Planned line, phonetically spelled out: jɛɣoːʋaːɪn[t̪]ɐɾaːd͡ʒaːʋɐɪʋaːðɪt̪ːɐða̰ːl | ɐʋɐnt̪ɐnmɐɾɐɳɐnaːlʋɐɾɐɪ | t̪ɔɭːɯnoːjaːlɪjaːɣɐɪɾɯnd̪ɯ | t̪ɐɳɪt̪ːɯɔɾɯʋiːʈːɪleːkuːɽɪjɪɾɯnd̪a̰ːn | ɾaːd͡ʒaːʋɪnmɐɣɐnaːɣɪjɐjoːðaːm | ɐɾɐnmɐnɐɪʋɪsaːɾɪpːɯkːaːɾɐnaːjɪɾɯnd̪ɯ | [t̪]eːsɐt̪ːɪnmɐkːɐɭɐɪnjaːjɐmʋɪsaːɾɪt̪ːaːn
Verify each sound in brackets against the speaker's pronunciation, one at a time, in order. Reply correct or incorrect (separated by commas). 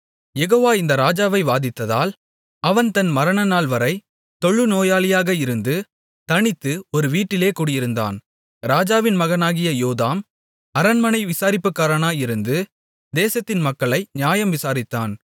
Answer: incorrect, incorrect